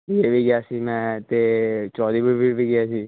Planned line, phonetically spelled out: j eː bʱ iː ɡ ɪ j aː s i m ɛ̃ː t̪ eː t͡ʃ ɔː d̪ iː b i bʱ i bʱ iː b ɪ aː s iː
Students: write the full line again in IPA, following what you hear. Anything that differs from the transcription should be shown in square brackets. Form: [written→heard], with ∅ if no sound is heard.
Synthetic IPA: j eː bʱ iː ɡ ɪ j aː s i m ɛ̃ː t̪ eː t͡ʃ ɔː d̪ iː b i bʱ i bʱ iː [b→ɡ] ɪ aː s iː